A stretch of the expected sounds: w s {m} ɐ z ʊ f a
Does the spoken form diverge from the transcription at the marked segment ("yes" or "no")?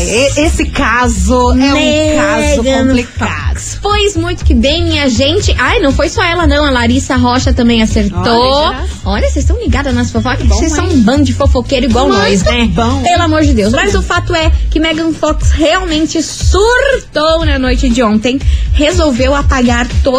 no